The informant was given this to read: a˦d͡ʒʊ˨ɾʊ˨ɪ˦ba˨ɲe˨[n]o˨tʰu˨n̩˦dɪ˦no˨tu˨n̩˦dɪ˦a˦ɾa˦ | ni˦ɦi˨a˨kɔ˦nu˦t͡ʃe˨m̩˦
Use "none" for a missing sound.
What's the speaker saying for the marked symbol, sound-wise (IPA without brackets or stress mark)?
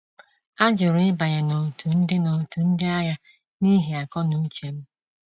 n